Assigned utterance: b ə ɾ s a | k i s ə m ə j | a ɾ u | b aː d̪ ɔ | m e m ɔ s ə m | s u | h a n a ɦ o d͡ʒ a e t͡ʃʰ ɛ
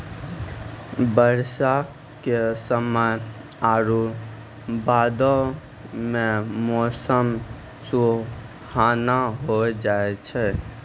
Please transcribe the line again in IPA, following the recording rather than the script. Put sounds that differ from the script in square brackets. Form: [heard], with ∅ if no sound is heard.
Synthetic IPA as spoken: b ə ɾ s a | k [e] s ə m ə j | a ɾ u | b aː d̪ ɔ | m e m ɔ s ə m | s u | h a n a ɦ o d͡ʒ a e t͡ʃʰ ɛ